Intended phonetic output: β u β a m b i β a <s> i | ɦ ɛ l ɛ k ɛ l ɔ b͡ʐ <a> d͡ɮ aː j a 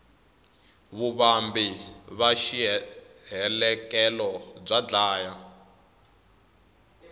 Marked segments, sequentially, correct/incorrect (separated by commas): incorrect, correct